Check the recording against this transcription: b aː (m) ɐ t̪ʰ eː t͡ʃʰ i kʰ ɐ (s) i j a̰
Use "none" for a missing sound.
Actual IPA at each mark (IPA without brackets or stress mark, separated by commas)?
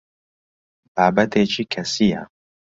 b, s